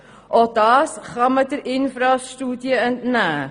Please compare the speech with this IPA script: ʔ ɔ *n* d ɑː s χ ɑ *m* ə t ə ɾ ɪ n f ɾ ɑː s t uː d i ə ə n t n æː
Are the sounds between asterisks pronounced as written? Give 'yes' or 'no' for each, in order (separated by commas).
no, yes